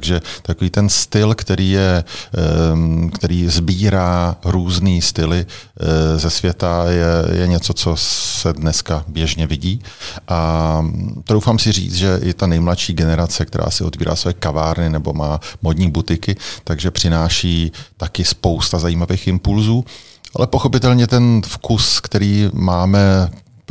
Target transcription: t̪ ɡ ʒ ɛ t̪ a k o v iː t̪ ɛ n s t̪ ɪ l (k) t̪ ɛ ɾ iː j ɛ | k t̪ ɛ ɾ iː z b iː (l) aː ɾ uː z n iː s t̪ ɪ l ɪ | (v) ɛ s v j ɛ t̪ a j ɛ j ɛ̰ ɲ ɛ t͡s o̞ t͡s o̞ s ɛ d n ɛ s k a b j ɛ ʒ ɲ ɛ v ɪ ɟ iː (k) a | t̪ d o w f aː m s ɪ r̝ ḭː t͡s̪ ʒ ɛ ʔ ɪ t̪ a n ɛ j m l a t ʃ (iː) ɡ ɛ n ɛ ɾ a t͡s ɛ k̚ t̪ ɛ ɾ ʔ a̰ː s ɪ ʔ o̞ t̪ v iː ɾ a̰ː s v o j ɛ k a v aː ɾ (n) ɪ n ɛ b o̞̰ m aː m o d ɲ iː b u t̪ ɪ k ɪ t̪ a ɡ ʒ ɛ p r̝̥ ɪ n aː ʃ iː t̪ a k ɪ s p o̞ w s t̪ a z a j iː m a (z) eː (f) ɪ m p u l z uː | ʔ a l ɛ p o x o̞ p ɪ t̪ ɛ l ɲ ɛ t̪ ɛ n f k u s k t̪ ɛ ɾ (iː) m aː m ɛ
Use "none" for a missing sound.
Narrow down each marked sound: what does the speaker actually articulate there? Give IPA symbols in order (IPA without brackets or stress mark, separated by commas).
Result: k, ɾ, z, ʔ, iː, n, v, x, iː